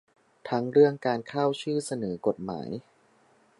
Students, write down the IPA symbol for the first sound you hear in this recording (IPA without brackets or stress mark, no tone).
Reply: t̪ʰ